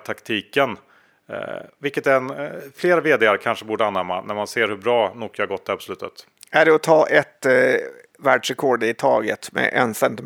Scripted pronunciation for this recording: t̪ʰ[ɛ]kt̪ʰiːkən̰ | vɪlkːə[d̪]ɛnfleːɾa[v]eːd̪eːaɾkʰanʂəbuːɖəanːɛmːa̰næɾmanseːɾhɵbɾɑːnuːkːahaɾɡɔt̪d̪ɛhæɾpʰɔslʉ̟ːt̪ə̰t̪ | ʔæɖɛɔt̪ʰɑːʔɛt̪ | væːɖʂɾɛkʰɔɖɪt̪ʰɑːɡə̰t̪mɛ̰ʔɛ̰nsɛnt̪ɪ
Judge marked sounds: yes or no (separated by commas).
no, no, yes